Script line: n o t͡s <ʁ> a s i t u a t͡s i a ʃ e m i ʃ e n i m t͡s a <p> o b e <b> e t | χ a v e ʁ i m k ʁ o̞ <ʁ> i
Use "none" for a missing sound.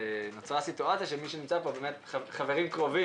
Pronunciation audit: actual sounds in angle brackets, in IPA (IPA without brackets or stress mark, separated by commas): ʁ, p, m, v